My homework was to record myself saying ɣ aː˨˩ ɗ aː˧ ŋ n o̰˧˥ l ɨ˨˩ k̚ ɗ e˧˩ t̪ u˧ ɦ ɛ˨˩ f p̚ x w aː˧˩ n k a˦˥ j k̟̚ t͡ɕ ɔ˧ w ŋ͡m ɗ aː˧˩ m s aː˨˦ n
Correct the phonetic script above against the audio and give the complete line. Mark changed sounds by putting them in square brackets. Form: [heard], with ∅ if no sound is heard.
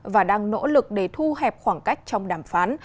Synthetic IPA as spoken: [v] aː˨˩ ɗ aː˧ ŋ n o̰˧˥ l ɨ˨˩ k̚ ɗ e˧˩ [t̪ʰ] u˧ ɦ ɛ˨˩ [∅] p̚ x w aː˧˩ [ŋ] k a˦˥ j k̟̚ t͡ɕ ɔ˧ w ŋ͡m ɗ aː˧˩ m [f] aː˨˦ n